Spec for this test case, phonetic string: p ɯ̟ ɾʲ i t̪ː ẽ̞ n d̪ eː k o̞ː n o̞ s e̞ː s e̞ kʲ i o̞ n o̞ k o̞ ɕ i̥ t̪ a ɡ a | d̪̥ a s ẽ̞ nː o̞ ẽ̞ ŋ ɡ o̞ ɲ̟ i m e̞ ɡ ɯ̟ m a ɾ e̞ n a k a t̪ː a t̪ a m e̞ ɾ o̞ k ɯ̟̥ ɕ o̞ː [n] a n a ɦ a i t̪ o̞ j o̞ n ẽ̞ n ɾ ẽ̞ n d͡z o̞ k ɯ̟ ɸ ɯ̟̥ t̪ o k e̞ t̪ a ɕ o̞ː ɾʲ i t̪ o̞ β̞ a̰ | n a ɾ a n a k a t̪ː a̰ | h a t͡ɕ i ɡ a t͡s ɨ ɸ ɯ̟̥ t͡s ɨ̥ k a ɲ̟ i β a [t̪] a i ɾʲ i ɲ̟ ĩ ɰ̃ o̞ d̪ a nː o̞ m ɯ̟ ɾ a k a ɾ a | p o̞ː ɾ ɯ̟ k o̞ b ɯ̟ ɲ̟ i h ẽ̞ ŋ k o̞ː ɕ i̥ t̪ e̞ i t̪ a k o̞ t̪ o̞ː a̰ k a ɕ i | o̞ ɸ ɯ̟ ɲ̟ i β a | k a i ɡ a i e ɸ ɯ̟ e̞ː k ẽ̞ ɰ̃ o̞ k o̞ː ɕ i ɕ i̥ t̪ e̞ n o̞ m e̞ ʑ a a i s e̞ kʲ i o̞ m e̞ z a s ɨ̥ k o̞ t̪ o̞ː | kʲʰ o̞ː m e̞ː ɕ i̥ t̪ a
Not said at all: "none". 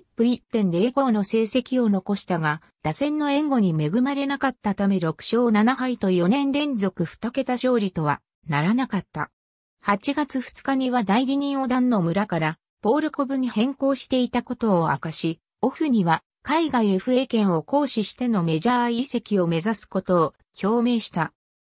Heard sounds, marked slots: n, d̪

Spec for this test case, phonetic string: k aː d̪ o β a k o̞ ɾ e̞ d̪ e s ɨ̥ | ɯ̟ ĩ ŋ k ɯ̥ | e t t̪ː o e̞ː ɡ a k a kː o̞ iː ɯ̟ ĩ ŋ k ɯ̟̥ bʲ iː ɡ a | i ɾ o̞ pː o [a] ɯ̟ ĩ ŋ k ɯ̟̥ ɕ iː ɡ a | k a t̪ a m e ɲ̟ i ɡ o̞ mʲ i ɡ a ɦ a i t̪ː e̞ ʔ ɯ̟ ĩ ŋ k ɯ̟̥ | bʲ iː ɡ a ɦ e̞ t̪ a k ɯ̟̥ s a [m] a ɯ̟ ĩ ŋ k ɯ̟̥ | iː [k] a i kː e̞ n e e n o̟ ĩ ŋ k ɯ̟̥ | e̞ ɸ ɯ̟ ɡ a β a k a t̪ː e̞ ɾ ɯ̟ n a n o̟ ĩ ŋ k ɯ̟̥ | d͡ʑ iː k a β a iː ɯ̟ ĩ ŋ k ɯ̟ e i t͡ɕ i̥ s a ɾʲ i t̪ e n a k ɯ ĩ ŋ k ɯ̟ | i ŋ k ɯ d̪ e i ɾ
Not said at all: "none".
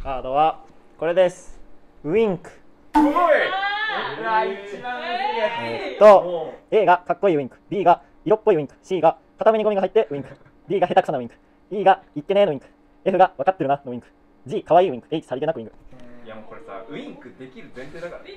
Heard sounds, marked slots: i, n, ɡ

